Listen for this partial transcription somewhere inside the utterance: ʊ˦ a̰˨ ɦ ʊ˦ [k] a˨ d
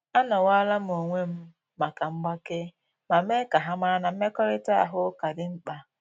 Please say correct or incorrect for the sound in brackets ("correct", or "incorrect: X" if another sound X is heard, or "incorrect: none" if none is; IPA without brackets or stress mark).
correct